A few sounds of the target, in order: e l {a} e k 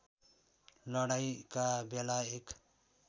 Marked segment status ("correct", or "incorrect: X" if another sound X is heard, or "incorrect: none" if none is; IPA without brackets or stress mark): correct